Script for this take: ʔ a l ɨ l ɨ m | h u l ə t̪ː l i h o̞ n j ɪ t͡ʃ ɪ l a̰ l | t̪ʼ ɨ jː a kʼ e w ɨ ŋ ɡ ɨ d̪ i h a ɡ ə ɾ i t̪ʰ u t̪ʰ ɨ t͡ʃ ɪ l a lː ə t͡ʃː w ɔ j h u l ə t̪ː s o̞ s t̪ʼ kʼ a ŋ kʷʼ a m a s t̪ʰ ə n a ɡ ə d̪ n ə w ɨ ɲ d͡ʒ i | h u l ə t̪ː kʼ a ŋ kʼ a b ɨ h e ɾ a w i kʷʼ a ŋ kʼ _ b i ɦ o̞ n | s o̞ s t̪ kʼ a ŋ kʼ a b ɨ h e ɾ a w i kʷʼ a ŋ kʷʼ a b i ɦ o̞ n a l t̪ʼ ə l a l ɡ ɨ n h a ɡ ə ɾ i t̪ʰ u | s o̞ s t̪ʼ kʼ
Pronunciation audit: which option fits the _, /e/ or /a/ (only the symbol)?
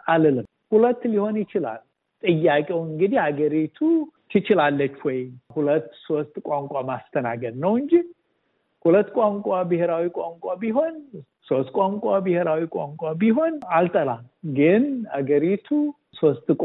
a